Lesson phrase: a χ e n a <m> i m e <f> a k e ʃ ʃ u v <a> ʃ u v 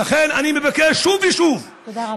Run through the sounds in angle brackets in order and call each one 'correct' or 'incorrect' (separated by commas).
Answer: incorrect, incorrect, incorrect